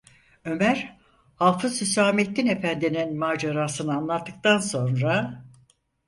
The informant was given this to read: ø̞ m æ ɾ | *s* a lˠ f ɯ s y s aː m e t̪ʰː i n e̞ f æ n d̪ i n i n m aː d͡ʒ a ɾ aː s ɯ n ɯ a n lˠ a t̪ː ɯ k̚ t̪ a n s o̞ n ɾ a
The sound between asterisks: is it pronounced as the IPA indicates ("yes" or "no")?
no